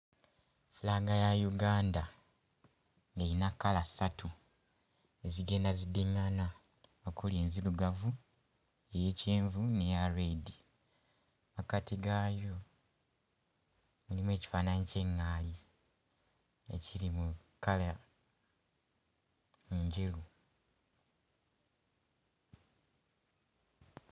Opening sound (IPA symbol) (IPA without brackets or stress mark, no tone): f